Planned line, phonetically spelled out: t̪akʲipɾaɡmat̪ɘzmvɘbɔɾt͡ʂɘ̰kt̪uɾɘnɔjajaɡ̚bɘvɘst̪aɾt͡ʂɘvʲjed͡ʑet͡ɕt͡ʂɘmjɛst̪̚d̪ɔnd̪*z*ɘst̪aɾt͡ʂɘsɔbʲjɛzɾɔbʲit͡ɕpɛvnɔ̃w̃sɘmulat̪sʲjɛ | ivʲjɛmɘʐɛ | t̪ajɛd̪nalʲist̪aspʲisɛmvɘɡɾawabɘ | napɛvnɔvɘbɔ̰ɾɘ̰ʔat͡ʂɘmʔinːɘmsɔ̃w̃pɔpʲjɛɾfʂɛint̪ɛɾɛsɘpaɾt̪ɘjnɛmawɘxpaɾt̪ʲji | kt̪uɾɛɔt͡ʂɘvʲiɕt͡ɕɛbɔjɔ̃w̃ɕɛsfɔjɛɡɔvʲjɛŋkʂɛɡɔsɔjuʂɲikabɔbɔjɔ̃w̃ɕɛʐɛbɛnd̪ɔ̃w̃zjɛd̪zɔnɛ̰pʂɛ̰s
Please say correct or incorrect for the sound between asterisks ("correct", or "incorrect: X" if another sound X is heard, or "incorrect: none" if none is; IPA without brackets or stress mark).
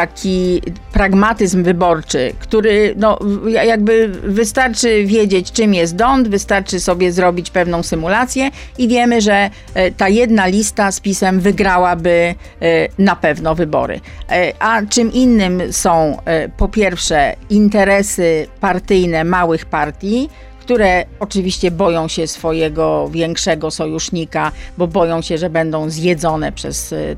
incorrect: v